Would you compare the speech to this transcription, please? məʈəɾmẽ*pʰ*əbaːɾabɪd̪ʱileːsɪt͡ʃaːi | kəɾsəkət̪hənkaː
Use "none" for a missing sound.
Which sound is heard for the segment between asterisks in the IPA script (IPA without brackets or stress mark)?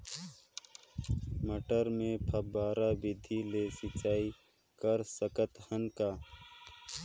pʰ